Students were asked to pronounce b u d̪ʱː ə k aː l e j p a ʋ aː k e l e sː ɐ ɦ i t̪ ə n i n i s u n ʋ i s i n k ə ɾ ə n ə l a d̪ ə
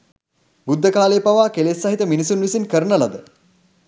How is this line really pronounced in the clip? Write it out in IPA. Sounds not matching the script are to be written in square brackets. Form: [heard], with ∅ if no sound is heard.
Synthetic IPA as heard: b u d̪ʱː ə k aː l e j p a ʋ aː k e l e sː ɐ ɦ i t̪ ə [m] i n i s u n ʋ i s i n k ə ɾ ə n ə l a d̪ ə